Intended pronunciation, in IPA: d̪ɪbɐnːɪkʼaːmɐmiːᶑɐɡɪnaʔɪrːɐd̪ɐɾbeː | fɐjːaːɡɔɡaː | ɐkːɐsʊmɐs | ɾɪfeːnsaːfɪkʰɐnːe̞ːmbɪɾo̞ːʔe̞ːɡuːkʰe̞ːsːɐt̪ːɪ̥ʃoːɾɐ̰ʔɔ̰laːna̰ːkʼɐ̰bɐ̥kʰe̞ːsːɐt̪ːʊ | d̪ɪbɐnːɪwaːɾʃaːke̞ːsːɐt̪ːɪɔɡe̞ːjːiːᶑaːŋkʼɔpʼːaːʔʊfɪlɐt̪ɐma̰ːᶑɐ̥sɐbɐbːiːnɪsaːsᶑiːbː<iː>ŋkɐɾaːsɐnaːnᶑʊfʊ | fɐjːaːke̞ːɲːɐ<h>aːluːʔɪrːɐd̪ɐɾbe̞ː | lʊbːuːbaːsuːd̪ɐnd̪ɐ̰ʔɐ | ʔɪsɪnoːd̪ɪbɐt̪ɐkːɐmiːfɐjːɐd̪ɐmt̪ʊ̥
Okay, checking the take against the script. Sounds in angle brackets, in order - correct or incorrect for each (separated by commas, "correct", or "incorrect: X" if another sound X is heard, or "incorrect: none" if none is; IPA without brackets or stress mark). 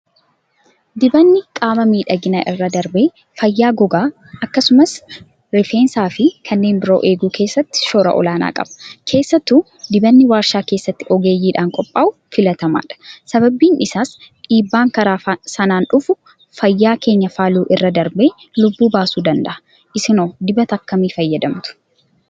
incorrect: aː, incorrect: f